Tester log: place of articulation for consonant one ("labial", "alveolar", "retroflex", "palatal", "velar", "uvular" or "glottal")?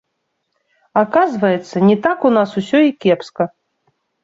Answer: velar